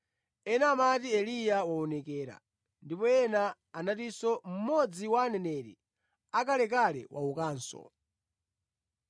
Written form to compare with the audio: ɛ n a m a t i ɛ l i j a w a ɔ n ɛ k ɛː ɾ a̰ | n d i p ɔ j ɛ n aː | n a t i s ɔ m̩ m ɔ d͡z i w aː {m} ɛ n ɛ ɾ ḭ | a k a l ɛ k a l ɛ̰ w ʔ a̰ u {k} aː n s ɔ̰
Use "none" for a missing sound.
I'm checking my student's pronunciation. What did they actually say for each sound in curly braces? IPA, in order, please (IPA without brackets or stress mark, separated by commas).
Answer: n, k